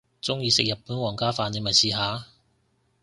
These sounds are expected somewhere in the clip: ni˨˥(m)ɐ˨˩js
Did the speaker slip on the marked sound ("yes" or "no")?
no